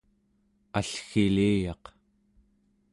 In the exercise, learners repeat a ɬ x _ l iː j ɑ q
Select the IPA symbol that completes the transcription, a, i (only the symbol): i